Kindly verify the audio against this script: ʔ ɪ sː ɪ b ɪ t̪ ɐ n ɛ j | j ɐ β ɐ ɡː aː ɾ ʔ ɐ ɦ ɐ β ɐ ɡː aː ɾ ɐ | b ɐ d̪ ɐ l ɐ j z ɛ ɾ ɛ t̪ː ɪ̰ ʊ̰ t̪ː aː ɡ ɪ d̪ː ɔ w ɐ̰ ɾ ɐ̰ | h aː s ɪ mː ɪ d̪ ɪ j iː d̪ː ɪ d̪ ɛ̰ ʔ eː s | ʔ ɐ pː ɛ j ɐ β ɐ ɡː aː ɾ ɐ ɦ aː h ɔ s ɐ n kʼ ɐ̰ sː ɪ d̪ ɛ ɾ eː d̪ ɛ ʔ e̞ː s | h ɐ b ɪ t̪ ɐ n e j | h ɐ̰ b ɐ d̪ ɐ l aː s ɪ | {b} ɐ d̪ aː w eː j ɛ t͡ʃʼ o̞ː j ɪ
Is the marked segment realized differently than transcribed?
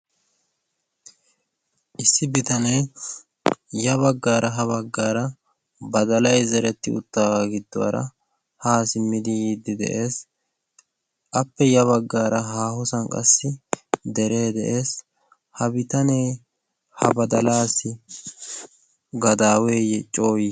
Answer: yes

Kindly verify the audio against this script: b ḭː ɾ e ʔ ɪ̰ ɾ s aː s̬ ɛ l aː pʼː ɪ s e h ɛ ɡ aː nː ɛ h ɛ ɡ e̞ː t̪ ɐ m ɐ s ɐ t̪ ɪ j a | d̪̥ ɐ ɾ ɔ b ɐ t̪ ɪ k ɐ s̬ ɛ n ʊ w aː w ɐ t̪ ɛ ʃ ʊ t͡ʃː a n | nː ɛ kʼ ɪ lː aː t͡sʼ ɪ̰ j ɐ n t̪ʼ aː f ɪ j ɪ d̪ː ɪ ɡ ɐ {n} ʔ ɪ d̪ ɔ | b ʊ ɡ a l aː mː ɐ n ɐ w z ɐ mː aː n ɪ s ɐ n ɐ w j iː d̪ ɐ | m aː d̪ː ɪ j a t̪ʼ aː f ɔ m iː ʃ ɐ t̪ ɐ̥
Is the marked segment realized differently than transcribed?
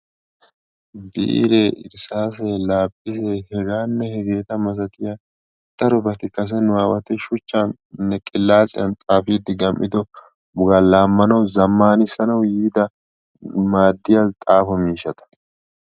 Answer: yes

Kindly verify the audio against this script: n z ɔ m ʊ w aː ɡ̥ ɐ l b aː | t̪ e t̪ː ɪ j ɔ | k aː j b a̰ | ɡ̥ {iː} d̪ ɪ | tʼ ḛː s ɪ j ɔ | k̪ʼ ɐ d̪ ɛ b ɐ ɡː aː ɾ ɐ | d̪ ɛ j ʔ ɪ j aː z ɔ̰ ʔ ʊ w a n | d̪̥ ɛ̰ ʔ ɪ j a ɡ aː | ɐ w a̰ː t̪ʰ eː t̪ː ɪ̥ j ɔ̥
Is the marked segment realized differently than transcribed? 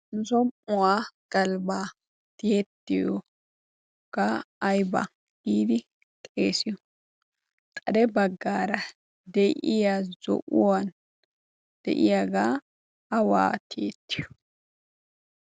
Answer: no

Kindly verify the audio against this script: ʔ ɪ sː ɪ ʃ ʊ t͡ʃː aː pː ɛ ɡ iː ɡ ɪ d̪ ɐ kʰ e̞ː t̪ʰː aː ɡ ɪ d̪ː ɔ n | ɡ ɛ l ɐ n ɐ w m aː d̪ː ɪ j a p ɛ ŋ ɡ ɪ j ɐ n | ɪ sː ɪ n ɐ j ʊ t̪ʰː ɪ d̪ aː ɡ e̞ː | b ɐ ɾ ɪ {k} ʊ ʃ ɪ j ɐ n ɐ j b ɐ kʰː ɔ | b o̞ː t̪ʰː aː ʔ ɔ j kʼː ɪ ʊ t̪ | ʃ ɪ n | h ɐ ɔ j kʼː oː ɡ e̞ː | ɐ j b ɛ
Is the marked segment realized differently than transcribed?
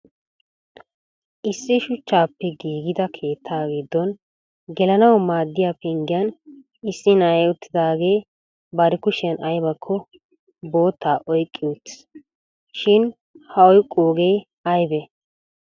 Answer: no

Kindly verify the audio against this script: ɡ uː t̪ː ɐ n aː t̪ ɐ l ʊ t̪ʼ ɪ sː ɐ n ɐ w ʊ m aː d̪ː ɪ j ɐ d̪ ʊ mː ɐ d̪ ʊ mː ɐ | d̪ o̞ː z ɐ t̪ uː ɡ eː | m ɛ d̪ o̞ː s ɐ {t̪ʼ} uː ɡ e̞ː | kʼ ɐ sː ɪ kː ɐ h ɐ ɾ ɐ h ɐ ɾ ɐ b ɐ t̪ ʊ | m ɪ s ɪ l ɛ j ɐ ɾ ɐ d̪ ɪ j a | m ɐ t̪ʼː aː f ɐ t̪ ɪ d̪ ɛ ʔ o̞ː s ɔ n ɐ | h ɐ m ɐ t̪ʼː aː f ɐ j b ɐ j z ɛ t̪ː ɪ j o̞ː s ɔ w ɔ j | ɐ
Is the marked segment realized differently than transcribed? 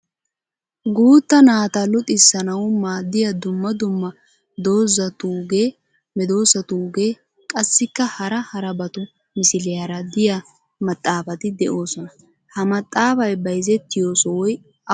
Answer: yes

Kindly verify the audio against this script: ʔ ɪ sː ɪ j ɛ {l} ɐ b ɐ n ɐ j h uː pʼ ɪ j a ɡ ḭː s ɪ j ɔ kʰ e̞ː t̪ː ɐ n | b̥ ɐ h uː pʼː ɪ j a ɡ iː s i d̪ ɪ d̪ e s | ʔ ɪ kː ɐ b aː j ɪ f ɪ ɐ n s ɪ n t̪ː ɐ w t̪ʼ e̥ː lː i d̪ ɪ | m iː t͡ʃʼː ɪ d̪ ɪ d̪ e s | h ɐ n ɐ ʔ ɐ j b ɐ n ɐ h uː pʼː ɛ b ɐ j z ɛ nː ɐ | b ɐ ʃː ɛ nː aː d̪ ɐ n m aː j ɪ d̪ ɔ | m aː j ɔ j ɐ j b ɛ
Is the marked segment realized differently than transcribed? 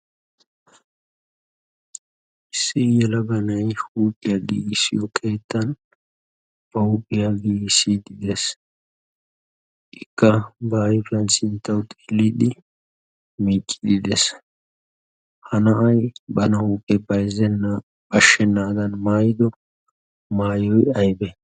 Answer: no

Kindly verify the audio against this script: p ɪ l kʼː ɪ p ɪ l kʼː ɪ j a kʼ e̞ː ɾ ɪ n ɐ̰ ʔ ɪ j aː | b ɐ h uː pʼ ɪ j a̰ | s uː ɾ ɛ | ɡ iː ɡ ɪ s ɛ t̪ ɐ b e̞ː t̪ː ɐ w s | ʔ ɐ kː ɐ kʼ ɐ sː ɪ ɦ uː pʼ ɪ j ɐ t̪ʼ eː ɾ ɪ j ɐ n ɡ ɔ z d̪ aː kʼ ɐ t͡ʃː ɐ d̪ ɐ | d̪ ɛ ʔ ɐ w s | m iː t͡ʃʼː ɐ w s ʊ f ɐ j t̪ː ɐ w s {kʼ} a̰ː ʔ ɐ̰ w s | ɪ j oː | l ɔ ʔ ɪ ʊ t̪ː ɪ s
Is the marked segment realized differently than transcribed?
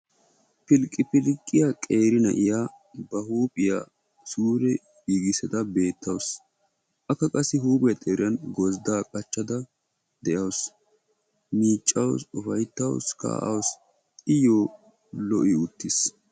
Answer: yes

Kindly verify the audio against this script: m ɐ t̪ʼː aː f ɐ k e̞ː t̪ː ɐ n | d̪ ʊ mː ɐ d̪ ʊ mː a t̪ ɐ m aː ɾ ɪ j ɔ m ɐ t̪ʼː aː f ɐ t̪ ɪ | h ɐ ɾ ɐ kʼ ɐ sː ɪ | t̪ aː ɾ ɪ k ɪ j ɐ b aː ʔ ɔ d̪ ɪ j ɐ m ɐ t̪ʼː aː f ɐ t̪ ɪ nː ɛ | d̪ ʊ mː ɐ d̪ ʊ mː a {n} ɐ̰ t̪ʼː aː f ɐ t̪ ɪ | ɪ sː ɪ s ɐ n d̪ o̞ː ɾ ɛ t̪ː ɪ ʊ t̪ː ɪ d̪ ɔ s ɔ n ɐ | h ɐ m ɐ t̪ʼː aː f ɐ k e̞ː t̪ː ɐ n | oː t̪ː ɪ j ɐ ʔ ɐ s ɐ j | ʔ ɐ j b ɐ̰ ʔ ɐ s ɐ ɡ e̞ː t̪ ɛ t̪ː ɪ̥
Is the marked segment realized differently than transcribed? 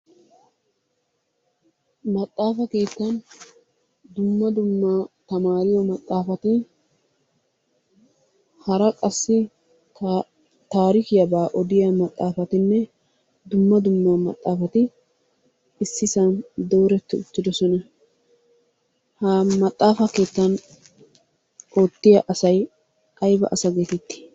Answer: yes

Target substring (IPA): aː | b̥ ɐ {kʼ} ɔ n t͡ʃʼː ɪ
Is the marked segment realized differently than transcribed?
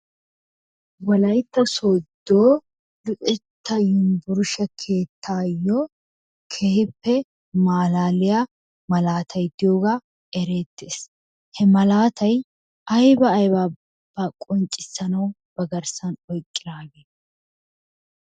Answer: no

